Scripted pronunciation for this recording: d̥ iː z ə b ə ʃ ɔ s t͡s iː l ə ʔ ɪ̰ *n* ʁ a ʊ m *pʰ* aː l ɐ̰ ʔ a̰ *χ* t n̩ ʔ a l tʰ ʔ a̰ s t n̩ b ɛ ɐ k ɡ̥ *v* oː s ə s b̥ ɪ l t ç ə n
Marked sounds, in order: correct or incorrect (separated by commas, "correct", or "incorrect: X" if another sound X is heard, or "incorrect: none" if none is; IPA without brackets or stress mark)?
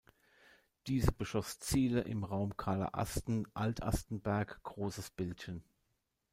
incorrect: m, incorrect: kʰ, incorrect: s, incorrect: ʁ